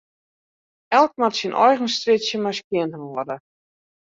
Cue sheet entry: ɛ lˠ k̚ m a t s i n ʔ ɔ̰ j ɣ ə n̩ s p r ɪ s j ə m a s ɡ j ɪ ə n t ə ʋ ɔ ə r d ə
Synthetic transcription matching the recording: ɛ lˠ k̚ m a t s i n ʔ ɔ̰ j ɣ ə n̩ s t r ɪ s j ə m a s k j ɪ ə n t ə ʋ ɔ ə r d ə